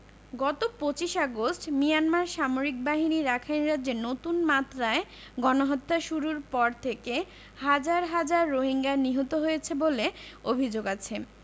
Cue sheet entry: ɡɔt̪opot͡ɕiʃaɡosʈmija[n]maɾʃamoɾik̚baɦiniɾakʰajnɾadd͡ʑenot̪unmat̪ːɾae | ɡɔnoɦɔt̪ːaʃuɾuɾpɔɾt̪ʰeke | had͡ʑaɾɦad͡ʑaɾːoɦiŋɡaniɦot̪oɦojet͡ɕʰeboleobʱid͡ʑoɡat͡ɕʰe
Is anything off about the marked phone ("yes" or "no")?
no